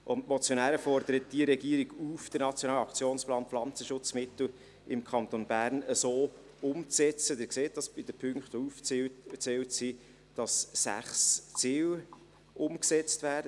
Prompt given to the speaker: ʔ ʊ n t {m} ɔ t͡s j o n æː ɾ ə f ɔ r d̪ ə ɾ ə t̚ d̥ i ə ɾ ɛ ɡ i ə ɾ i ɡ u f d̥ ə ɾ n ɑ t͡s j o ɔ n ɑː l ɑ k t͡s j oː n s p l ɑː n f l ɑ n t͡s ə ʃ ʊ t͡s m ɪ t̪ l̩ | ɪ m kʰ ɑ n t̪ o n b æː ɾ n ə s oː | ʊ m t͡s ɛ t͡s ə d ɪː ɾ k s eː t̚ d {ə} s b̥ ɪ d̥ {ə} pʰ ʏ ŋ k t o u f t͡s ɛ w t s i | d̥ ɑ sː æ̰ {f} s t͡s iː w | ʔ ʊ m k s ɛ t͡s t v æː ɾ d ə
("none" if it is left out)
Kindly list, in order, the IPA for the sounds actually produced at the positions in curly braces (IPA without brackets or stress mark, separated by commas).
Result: m, ɑ, ə, χ